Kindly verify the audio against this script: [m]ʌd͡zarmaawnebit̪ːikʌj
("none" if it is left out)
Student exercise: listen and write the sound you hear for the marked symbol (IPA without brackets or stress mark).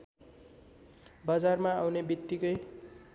b